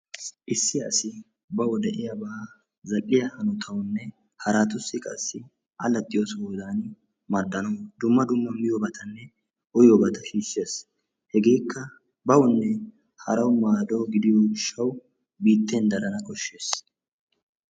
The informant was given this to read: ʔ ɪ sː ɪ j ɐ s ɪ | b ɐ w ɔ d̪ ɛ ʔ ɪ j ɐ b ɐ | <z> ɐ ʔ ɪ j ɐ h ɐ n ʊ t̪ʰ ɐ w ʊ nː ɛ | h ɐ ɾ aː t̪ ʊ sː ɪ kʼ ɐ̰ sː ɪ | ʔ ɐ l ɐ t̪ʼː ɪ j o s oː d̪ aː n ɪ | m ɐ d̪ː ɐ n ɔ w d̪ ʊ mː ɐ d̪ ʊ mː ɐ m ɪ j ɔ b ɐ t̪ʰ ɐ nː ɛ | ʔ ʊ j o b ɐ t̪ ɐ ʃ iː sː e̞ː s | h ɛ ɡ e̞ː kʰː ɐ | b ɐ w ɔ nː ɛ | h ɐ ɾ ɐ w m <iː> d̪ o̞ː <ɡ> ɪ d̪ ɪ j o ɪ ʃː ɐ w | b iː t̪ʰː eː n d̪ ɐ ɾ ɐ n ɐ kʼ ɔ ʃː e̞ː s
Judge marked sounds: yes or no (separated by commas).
yes, no, yes